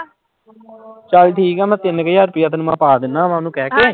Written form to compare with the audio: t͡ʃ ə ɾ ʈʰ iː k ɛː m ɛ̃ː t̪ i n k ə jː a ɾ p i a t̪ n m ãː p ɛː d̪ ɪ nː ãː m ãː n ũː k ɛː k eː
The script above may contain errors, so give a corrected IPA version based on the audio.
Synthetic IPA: t͡ʃ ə l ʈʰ iː k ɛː m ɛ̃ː t̪ ɪ n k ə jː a ɾ p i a t̪ n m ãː p aː d̪ ɪ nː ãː m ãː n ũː k ɛː k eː